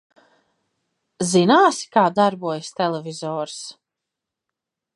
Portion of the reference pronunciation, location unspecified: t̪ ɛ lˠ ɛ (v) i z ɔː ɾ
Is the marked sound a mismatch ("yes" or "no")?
no